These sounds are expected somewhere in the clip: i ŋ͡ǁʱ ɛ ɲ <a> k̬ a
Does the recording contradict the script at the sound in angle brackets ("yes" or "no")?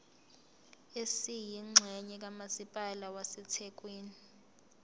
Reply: yes